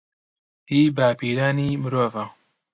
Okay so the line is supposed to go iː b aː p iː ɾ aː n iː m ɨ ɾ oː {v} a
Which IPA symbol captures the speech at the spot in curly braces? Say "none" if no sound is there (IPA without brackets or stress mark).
v